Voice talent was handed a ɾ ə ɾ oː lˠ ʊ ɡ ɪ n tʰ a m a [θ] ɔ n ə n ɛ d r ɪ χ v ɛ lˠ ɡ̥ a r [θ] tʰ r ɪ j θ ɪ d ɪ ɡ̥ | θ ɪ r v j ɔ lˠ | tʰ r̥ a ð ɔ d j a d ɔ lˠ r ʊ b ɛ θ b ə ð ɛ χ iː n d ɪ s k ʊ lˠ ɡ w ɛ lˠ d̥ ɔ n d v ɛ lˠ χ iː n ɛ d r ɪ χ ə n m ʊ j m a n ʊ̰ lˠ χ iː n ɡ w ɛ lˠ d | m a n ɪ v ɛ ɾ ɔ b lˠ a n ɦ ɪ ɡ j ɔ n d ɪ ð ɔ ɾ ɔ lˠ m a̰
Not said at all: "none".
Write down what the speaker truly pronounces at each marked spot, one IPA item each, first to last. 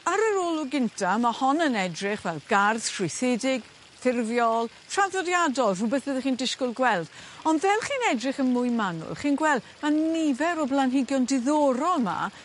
h, θ

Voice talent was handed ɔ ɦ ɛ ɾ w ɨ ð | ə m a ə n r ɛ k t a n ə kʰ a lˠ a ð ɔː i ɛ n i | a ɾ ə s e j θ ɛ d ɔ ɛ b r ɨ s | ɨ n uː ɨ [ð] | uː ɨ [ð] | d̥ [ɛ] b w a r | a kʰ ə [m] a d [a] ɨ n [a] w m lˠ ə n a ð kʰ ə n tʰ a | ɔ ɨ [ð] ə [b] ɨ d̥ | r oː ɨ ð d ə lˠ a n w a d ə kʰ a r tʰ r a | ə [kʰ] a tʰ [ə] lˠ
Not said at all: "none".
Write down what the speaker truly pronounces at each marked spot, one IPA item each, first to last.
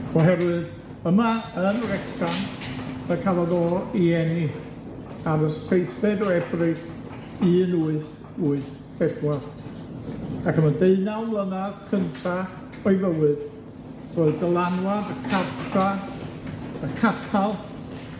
θ, θ, ɛ, m, e, a, v, w, kʰ, a

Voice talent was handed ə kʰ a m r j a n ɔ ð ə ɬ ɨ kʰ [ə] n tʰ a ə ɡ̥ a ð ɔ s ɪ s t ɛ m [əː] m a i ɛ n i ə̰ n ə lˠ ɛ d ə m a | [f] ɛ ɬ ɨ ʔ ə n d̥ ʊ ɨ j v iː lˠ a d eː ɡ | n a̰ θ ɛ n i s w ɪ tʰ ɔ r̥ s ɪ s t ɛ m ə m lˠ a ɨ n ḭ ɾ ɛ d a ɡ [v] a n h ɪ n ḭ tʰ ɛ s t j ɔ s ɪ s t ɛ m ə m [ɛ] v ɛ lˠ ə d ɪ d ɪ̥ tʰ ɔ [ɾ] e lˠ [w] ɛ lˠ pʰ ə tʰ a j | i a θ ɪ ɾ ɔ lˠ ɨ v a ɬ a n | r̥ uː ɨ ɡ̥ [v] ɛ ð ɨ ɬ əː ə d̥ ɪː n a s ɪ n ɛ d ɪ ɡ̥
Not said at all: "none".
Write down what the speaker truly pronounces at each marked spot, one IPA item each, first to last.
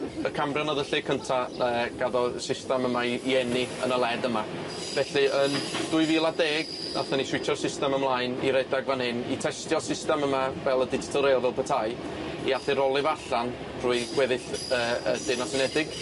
ə, ə, v, v, a, ɾ, v, w

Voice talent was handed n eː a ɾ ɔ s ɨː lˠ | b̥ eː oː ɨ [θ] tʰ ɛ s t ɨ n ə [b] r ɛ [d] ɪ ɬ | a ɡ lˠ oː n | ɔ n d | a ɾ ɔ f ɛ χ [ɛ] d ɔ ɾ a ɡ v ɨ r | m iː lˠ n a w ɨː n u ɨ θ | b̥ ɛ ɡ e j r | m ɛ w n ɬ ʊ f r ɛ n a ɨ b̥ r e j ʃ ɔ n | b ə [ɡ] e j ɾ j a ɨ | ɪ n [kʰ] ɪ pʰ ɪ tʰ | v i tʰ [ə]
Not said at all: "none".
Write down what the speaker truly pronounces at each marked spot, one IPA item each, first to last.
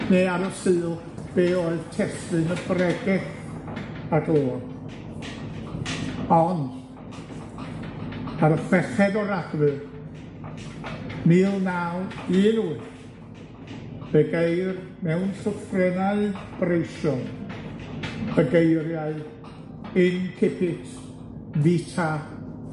ð, b, ɡ, ɛ, ɡ, kʰ, a

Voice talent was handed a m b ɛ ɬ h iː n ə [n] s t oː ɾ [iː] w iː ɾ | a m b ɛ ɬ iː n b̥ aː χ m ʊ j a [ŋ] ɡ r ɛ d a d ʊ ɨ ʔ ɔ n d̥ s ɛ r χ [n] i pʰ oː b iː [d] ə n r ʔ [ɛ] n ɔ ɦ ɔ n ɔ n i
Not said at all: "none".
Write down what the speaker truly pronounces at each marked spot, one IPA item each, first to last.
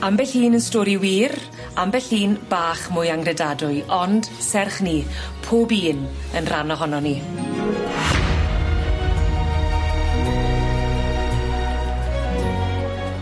n, i, ŋ, n, n, a

